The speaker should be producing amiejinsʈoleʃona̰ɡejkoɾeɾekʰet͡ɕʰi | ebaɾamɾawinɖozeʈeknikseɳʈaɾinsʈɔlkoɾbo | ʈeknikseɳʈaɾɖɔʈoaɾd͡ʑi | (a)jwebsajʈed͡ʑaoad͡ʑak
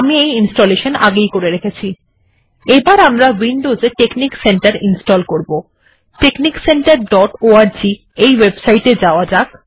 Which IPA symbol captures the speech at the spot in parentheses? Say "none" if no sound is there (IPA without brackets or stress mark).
e